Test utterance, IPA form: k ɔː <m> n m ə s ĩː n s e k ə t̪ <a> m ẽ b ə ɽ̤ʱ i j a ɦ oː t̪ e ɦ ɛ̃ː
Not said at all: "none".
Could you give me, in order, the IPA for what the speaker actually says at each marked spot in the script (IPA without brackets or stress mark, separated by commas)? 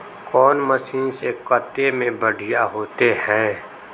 none, e